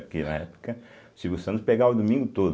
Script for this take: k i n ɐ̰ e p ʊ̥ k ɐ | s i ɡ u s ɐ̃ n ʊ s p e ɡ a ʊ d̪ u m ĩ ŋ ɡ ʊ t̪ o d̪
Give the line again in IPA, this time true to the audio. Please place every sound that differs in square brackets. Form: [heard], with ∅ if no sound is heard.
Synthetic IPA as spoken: k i n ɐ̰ [ɛ] p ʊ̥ k ɐ | s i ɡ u s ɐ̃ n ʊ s p e ɡ a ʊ d̪ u m ĩ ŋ ɡ ʊ t̪ o d̪